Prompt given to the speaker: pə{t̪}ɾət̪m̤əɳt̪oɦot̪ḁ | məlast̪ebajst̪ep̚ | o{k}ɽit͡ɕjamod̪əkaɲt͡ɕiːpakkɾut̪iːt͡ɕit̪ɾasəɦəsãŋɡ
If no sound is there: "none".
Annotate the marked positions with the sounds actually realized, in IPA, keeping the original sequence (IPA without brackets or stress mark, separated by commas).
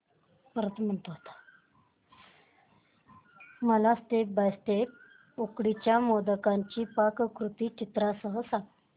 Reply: none, k